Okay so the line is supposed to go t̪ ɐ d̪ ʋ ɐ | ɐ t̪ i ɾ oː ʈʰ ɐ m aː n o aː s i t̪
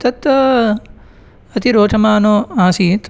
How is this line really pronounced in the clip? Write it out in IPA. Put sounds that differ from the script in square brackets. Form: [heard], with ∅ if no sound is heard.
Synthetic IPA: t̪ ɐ [t̪] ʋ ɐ | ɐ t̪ i ɾ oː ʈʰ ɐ m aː n o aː s i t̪